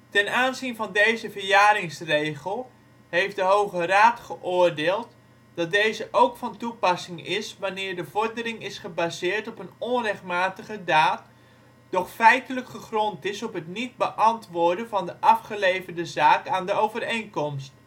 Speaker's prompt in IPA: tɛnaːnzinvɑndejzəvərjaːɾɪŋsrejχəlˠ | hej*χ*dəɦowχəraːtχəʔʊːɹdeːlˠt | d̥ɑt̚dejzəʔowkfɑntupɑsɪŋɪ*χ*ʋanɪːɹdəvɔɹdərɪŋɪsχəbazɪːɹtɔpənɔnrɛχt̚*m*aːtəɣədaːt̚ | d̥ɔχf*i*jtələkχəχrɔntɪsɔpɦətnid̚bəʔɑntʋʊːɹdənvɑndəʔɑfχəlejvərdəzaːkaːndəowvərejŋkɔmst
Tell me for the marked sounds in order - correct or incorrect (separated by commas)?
incorrect, incorrect, correct, incorrect